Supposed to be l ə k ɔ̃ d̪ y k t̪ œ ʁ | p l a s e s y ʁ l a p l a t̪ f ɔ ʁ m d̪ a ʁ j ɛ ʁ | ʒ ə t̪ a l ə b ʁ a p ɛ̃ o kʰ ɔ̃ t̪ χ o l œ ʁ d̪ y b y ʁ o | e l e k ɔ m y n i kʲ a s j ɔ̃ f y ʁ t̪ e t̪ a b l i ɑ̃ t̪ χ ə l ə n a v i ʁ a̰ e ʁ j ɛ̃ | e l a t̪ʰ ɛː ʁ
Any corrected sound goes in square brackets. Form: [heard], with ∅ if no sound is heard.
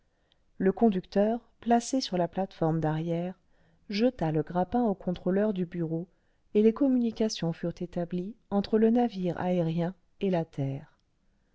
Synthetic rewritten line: l ə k ɔ̃ d̪ y k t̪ œ ʁ | p l a s e s y ʁ l a p l a t̪ f ɔ ʁ m d̪ a ʁ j ɛ ʁ | ʒ ə t̪ a l ə [ɡ] ʁ a p ɛ̃ o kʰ ɔ̃ t̪ χ o l œ ʁ d̪ y b y ʁ o | e l e k ɔ m y n i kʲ a s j ɔ̃ f y ʁ t̪ e t̪ a b l i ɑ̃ t̪ χ ə l ə n a v i ʁ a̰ e ʁ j ɛ̃ | e l a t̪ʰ ɛː ʁ

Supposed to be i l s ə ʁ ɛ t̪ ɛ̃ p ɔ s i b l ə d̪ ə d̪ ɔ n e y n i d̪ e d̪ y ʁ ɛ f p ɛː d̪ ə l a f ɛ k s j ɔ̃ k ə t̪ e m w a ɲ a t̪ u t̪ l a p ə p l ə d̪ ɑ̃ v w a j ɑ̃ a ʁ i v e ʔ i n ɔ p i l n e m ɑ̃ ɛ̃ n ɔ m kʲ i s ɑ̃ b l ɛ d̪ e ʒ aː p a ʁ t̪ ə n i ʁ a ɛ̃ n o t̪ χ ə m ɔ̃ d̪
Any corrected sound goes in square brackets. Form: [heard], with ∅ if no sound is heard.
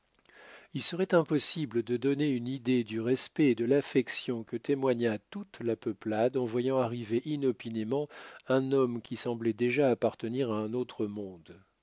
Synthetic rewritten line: i l s ə ʁ ɛ t̪ ɛ̃ p ɔ s i b l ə d̪ ə d̪ ɔ n e y n i d̪ e d̪ y ʁ ɛ [s] p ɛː d̪ ə l a f ɛ k s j ɔ̃ k ə t̪ e m w a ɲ a t̪ u t̪ l a p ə p l [a] d̪ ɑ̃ v w a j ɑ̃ a ʁ i v e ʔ i n ɔ p i [∅] n e m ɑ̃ ɛ̃ n ɔ m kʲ i s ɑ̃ b l ɛ d̪ e ʒ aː p a ʁ t̪ ə n i ʁ a ɛ̃ n o t̪ χ ə m ɔ̃ d̪

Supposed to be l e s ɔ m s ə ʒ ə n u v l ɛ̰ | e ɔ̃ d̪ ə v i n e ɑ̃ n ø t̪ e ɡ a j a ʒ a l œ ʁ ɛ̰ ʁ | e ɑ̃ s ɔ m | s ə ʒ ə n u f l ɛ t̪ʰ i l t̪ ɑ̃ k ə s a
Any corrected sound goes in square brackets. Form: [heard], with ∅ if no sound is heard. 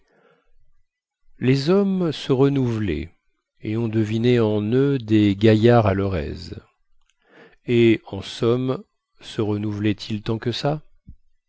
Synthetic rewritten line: l e [z] ɔ m s ə [ʁ] ə n u v l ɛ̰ | e ɔ̃ d̪ ə v i n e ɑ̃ n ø [d̪] e ɡ a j a [ʁ] a l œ ʁ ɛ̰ [z] | e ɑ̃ s ɔ m | s ə [ʁ] ə n u [v] l ɛ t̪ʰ i l t̪ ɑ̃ k ə s a

